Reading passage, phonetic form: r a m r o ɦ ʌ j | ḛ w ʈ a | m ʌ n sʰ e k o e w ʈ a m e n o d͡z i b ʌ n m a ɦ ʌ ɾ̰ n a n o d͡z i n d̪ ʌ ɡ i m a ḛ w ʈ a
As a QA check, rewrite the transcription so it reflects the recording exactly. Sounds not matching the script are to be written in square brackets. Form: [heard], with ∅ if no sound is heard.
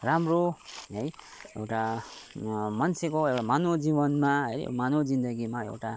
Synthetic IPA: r a m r o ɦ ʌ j | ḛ w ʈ a | m ʌ n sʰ e k o e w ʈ a m [a] n o d͡z i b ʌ n m a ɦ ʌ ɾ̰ [m] a n o d͡z i n d̪ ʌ ɡ i m a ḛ w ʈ a